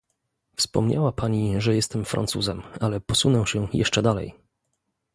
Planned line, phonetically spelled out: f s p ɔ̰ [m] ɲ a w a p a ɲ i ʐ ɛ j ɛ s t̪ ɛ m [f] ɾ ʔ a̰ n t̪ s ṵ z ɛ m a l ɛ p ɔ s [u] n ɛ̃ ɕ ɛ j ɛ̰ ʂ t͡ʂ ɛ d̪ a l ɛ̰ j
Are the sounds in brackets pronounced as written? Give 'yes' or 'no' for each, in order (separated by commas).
yes, yes, yes